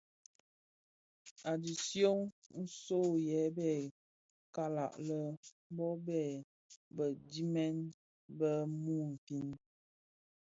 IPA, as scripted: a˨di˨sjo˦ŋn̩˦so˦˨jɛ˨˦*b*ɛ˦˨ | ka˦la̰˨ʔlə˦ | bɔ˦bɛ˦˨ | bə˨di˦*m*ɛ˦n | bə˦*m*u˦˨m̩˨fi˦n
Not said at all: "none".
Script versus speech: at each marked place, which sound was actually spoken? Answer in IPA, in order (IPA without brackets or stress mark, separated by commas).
b, m, m